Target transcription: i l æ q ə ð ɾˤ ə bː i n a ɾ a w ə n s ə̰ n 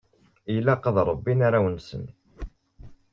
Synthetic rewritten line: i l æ q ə ð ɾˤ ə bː i n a ɾ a w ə n s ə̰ n